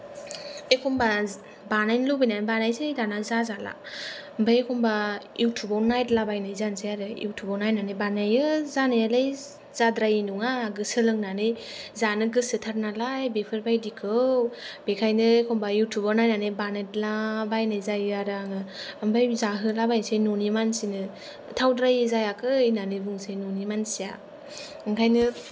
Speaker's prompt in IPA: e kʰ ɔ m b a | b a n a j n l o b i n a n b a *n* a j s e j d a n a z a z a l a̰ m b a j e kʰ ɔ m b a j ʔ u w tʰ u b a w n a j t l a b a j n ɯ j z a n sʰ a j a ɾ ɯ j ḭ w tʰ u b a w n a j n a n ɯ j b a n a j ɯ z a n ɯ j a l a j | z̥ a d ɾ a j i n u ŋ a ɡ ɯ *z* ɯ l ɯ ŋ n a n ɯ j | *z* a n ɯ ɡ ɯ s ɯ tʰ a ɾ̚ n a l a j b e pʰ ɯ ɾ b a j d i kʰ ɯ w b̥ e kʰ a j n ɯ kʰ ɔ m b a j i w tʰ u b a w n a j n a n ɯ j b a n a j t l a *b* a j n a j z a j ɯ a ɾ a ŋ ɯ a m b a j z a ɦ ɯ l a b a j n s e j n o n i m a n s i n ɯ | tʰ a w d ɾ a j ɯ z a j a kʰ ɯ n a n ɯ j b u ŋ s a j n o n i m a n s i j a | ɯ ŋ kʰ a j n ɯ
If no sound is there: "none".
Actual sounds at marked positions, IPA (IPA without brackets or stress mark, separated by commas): n, s, z, b